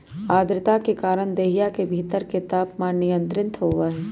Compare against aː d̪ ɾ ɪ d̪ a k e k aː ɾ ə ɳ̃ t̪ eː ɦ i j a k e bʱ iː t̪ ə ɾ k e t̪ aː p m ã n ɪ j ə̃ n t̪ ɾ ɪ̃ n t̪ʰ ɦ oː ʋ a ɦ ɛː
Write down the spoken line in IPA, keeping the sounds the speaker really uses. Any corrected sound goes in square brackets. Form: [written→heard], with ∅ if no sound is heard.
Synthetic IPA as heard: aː d̪ ɾ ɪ [d̪→t̪] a k e k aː ɾ ə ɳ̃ [t̪→d̪] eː ɦ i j a k e bʱ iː t̪ ə ɾ k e t̪ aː p m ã n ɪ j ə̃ n t̪ ɾ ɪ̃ n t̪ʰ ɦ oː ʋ a ɦ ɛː